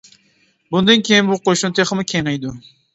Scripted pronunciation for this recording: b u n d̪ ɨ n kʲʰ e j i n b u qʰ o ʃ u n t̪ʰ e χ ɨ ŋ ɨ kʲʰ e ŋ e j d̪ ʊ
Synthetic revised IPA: b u n d̪ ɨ n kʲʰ e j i n b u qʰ o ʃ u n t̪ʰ e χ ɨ m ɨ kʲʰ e ŋ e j d̪ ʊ